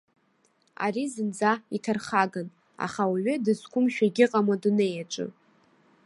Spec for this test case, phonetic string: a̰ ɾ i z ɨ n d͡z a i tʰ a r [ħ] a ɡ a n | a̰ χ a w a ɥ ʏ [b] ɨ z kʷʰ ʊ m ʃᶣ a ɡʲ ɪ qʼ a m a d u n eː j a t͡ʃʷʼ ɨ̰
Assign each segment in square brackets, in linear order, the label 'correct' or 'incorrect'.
incorrect: χ, incorrect: d

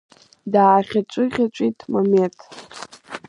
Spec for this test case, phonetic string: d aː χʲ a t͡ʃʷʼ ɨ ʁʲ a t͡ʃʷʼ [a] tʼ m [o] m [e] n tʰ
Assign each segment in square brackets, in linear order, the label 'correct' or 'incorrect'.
incorrect: i, correct, correct

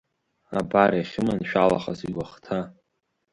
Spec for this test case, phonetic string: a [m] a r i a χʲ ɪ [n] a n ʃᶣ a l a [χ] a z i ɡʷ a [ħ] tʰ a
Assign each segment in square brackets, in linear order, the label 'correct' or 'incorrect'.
incorrect: b, incorrect: m, correct, incorrect: χ

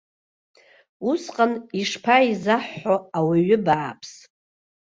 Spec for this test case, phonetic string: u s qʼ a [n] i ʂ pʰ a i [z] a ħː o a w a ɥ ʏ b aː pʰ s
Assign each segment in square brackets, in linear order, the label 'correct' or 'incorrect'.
correct, correct

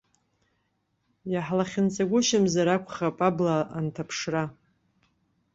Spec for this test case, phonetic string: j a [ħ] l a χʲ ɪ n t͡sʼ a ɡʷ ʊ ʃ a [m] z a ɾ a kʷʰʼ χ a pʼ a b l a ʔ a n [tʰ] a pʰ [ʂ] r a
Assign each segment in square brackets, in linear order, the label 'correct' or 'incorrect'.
correct, correct, correct, correct

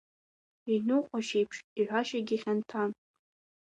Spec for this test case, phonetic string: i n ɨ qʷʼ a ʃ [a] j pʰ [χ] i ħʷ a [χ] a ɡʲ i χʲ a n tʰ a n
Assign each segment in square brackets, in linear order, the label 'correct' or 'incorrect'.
incorrect: e, incorrect: ʂ, incorrect: ʃ

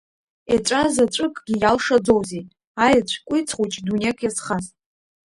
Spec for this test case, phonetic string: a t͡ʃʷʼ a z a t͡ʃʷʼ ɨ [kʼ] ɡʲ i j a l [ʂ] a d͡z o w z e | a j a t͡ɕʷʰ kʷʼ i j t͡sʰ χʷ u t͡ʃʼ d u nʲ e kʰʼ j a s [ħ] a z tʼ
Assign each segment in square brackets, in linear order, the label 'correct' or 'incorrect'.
correct, correct, incorrect: χ

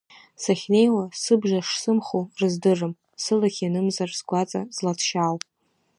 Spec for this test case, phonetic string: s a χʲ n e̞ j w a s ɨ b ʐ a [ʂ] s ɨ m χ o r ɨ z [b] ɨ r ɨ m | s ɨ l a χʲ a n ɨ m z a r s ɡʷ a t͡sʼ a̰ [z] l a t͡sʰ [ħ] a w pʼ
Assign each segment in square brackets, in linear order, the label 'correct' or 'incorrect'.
correct, incorrect: d, correct, incorrect: ʃ

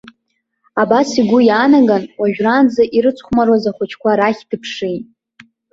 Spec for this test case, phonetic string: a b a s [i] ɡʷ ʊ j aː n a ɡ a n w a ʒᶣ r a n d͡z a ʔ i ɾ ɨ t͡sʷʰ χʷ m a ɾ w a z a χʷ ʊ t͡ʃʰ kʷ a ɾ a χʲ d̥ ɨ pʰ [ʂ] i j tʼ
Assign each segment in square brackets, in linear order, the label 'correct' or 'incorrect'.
correct, correct

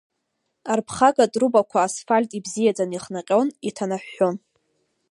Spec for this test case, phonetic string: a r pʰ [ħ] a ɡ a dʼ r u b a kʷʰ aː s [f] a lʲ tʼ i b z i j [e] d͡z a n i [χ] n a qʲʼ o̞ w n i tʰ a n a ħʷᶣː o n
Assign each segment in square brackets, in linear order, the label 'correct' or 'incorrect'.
incorrect: χ, correct, incorrect: a, correct

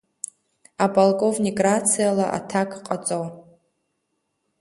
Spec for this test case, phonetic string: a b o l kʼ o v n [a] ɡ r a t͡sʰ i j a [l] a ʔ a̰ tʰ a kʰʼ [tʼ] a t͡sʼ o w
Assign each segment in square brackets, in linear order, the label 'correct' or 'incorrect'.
incorrect: i, correct, incorrect: qʼ

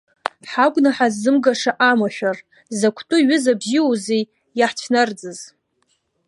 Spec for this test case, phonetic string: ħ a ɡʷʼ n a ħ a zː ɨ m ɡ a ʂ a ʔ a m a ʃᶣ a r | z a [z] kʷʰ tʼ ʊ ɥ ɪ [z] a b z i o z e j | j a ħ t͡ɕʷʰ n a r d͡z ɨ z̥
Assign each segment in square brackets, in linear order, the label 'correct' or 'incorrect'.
incorrect: none, correct

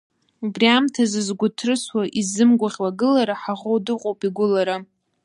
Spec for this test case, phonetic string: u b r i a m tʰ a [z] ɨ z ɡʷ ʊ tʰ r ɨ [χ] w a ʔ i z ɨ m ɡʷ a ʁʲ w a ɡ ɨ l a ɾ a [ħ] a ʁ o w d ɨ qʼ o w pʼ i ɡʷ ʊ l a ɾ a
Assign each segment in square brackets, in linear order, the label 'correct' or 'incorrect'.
correct, incorrect: s, correct

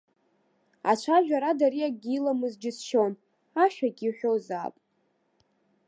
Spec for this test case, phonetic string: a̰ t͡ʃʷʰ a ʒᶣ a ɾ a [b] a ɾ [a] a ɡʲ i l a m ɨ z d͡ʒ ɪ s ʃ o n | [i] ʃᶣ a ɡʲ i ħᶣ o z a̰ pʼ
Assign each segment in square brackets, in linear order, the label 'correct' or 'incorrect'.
incorrect: d, incorrect: i, incorrect: a

